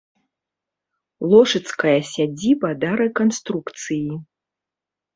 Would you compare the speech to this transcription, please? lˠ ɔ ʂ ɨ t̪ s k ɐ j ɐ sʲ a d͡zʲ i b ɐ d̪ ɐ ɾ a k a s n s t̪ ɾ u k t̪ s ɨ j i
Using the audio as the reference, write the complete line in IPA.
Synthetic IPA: lˠ ɔ ʂ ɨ t̪ s k ɐ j ɐ sʲ a d͡zʲ i b ɐ d̪ ɐ ɾ ɛ k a n s t̪ ɾ u k t̪ s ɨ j i